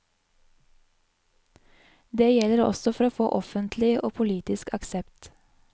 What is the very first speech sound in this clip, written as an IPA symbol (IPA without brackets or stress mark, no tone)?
d̪